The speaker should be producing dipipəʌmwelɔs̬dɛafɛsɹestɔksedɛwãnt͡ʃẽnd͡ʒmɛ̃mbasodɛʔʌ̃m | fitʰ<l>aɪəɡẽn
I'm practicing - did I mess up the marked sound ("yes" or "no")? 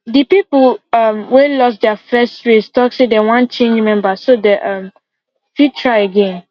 yes